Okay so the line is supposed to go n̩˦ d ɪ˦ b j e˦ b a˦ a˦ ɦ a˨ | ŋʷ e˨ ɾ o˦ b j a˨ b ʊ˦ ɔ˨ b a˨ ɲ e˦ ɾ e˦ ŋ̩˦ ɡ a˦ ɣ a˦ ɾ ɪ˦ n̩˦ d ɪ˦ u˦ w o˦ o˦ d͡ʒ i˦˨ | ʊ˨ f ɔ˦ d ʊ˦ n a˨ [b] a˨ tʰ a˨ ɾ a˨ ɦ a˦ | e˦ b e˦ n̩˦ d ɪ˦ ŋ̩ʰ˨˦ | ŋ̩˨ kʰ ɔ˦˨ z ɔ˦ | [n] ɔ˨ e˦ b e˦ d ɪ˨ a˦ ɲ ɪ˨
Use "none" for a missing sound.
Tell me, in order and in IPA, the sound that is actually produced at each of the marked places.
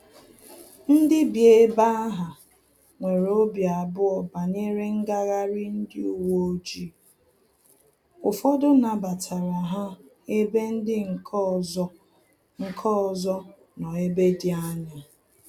b, n

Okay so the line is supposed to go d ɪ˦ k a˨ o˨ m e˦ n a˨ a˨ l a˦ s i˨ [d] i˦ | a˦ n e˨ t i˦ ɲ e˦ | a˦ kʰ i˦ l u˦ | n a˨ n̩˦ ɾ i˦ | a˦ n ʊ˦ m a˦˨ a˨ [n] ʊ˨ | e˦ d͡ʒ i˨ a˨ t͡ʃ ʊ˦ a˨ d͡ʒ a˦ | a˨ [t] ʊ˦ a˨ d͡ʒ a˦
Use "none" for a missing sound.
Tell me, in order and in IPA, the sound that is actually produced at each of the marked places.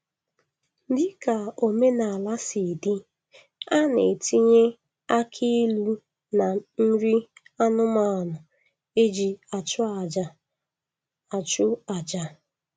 d, n, t͡ʃ

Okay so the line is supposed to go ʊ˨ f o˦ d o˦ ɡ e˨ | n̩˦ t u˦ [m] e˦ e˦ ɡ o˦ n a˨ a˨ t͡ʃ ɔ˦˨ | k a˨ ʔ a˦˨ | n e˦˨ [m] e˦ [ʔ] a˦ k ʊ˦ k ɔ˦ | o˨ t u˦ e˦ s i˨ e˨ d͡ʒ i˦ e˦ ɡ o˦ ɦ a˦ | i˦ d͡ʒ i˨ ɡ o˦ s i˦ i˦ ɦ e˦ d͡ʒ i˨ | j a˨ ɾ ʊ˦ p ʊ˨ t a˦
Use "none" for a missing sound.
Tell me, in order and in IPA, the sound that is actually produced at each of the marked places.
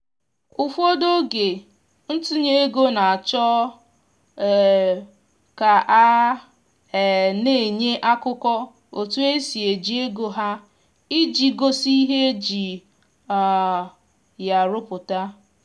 ɲ, ɲ, ʔ

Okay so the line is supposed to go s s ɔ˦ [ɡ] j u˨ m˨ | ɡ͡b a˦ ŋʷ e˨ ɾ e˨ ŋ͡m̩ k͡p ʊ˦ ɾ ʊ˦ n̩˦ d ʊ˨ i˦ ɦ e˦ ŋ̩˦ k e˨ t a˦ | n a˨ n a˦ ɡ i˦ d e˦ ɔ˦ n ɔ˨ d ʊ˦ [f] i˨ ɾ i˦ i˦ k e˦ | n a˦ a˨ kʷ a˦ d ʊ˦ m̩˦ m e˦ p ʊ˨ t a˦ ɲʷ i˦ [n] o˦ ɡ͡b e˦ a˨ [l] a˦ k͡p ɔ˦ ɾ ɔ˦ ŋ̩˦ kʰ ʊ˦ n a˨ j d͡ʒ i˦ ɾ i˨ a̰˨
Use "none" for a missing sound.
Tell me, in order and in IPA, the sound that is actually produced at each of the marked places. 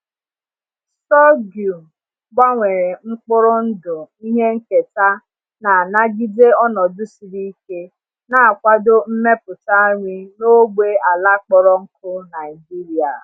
ɡ, s, n, l

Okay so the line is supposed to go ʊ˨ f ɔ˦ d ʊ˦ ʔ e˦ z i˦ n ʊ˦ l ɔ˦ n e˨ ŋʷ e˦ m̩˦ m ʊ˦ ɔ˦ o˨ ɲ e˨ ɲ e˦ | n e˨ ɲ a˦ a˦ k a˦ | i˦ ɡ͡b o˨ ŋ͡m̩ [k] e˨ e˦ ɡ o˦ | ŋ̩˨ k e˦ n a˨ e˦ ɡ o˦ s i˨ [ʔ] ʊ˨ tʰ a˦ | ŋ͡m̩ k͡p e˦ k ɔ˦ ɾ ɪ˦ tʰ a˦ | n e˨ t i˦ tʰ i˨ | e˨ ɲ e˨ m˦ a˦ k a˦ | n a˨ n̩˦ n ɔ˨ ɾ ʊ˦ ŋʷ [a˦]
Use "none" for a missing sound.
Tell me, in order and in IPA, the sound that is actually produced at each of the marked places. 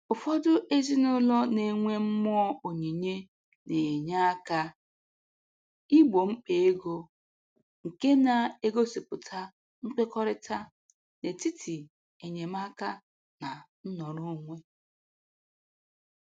k͡p, p, e˦

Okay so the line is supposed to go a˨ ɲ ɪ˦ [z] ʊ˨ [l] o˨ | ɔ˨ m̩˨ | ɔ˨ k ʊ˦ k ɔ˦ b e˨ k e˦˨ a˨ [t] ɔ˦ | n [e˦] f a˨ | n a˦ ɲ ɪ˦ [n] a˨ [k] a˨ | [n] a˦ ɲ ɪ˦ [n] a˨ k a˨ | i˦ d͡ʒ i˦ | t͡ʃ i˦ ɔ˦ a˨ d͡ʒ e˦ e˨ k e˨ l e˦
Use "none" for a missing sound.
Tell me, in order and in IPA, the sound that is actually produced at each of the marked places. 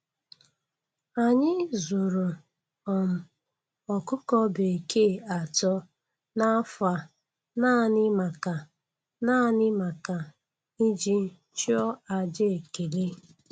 z, ɾ, t, a˦, m, k, n, m

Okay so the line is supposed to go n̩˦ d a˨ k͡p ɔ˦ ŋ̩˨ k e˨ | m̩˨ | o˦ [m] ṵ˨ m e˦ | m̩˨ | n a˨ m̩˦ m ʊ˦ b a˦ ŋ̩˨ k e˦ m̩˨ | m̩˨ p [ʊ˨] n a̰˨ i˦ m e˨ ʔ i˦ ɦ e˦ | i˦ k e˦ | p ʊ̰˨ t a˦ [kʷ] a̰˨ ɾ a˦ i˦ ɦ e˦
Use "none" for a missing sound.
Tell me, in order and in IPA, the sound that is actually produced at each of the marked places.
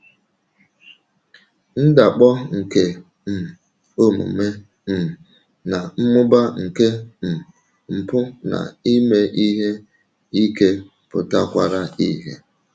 m, ʊ˦, kʷ

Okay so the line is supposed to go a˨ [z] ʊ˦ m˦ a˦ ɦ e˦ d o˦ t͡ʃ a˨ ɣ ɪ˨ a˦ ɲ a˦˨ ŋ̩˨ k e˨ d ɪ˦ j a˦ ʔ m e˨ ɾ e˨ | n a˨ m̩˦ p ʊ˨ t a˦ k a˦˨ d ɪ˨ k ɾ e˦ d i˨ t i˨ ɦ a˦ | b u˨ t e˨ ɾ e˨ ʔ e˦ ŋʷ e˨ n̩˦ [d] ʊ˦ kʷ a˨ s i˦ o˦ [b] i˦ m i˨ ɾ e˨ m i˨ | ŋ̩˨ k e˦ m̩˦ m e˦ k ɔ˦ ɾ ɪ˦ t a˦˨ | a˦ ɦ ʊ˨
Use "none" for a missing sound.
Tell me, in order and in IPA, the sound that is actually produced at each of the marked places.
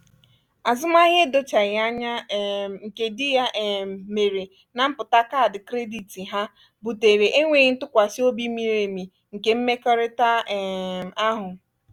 z, t, b

